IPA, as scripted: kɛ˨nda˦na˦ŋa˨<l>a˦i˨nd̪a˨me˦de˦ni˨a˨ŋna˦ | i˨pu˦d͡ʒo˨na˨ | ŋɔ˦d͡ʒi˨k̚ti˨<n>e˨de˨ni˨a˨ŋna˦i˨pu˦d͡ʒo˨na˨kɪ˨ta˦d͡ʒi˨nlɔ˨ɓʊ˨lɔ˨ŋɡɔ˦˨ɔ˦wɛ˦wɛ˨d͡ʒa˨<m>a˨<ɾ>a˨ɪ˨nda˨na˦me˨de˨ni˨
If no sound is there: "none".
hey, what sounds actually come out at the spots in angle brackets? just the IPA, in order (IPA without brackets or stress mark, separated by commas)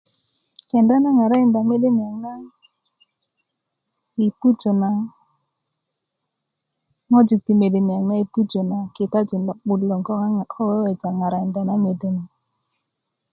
ɾ, m, ŋ, ɾ